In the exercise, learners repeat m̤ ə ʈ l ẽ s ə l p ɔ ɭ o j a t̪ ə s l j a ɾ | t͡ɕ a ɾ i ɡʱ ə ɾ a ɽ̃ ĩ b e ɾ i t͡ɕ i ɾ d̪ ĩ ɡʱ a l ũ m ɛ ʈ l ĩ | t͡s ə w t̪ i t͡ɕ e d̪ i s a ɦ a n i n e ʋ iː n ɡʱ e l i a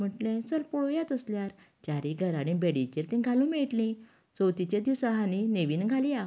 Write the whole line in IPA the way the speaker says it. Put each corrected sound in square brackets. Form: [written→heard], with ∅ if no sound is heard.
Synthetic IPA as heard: m̤ ə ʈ l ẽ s ə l p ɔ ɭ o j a t̪ ə s l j a ɾ | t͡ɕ a ɾ i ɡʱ ə ɾ a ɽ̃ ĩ b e [ɾ→ɽ] i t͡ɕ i ɾ [d̪→t̪] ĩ ɡʱ a l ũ m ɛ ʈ l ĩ | t͡s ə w t̪ i t͡ɕ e d̪ i s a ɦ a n i n e ʋ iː n ɡʱ [e→a] l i a